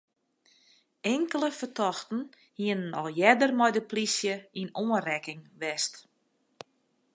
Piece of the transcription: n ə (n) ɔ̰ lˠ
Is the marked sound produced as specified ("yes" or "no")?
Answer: yes